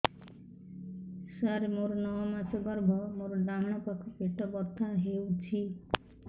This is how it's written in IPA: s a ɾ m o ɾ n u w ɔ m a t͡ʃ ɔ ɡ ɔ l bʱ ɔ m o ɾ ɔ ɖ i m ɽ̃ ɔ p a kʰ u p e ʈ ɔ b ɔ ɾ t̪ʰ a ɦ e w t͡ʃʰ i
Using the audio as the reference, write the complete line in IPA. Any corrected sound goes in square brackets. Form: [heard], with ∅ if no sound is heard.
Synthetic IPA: s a ɾ m o ɾ n [ɔ] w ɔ m a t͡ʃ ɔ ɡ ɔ [ɾ] bʱ ɔ m o ɾ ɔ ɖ [a] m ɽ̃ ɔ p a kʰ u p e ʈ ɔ b ɔ ɾ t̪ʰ a ɦ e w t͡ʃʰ i